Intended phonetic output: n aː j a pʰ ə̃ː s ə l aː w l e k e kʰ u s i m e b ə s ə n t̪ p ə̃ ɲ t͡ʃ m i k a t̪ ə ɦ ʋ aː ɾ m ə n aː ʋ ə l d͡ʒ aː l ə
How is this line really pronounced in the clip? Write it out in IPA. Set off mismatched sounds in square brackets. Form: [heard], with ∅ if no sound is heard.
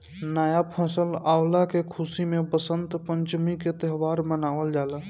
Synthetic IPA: n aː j a pʰ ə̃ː s ə l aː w l [a] k e kʰ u s i m e b ə s ə n t̪ p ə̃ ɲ t͡ʃ m i k [e] t̪ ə ɦ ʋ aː ɾ m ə n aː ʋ ə l d͡ʒ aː l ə